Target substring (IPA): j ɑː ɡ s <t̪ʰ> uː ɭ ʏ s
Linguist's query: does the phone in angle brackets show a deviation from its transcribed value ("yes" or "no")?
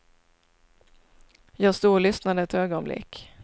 yes